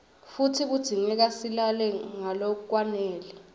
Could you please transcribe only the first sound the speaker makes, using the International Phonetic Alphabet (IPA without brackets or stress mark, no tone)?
f